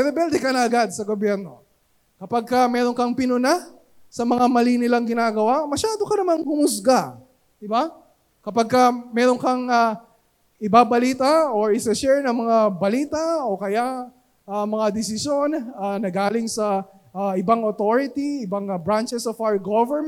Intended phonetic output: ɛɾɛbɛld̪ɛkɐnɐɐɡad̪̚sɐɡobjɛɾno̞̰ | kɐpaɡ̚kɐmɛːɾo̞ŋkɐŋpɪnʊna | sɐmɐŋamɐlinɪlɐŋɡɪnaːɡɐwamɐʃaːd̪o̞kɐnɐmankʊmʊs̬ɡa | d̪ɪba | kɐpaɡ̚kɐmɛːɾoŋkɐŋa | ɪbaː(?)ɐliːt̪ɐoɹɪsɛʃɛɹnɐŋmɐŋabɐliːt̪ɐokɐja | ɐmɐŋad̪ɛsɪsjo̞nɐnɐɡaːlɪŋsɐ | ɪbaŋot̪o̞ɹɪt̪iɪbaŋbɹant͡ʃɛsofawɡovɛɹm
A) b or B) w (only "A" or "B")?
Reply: A